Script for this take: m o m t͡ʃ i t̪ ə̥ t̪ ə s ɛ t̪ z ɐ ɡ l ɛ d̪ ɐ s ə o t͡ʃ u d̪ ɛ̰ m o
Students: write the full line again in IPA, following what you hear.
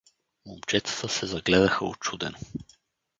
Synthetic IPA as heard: m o m t͡ʃ ɛ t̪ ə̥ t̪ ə s ɛ z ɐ ɡ l ɛ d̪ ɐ x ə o t͡ʃ u d̪ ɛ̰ n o